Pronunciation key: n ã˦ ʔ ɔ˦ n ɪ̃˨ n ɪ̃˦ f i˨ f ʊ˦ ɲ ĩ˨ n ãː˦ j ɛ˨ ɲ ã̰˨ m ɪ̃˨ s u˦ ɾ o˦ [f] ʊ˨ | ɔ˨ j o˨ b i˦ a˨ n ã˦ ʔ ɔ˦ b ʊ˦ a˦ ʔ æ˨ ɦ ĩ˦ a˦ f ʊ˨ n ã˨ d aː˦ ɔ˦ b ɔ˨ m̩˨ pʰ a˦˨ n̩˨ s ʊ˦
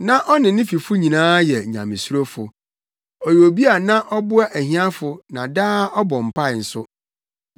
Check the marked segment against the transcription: correct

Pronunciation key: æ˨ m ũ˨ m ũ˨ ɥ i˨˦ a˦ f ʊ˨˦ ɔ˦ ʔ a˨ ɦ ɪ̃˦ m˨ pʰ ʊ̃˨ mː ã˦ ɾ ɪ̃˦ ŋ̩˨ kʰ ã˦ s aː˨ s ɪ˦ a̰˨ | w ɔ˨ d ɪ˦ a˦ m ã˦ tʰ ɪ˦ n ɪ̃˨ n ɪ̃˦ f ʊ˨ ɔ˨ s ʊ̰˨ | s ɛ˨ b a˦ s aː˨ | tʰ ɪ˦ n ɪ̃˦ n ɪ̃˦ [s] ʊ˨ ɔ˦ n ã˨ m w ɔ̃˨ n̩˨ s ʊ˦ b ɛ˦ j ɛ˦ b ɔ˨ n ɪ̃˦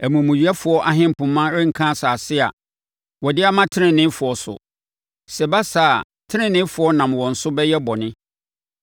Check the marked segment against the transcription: incorrect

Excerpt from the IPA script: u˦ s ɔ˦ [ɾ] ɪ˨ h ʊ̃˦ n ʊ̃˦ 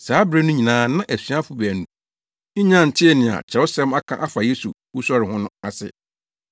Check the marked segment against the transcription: correct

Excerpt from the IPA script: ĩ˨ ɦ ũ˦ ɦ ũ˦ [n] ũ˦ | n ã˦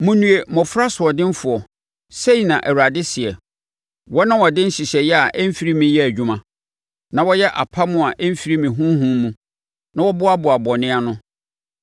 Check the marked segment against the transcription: incorrect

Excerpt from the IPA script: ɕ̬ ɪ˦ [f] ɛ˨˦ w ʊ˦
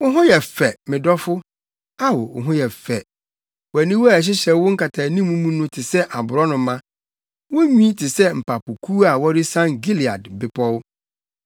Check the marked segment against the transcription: incorrect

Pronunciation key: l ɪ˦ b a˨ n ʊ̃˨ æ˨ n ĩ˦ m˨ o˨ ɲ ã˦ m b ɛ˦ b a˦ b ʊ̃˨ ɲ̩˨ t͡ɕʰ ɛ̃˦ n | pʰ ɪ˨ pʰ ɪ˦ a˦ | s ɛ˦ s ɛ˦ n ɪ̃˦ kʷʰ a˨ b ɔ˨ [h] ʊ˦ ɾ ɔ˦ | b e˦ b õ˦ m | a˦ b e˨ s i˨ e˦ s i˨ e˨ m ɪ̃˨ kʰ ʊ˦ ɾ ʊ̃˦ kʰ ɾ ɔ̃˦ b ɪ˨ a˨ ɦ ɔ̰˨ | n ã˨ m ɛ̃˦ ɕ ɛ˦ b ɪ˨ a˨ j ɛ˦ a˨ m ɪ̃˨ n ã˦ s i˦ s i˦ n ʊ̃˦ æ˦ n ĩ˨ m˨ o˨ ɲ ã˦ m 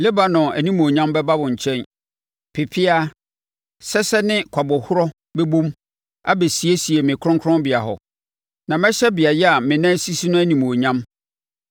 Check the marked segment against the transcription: correct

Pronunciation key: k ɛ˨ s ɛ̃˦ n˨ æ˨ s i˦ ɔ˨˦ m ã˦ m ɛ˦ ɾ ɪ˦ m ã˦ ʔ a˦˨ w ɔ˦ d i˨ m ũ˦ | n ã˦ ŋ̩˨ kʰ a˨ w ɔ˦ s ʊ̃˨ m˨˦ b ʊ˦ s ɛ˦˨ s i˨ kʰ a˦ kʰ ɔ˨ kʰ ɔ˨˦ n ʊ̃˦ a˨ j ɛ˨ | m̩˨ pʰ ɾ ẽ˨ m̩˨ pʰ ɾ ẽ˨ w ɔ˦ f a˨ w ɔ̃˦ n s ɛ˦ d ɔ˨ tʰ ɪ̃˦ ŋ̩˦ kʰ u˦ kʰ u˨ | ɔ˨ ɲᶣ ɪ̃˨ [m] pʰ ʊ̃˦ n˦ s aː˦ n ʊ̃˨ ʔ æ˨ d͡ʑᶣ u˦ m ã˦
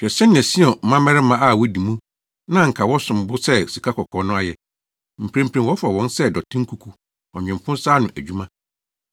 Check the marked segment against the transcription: correct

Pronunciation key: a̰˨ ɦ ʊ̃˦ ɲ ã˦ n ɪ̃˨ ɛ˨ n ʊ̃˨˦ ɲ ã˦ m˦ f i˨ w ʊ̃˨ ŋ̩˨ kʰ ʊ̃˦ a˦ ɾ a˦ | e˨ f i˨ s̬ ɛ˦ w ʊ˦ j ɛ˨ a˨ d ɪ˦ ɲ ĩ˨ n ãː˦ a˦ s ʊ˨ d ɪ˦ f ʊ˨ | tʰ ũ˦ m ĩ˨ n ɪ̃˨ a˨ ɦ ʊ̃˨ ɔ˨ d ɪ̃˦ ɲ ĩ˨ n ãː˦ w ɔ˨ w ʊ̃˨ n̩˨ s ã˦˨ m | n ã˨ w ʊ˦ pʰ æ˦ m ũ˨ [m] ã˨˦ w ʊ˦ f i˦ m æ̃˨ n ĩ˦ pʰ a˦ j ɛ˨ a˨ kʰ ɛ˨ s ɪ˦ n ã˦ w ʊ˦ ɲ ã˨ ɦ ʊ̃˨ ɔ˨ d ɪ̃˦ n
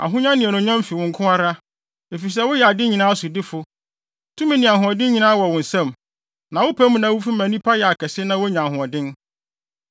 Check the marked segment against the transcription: incorrect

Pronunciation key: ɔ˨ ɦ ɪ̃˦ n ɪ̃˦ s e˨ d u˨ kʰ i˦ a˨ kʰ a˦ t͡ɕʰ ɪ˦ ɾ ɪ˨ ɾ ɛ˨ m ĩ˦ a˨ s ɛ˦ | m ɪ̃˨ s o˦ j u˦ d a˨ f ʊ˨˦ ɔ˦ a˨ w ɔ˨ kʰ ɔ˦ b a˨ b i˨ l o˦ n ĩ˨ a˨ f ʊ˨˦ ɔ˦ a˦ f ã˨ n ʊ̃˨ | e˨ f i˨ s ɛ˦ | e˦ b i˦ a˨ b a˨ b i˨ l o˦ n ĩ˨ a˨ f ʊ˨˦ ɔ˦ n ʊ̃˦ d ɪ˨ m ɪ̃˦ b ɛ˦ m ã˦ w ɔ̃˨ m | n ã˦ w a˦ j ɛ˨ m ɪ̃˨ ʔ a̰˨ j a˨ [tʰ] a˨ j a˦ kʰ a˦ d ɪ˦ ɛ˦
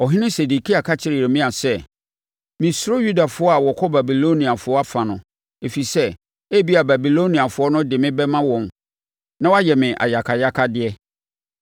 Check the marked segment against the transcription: incorrect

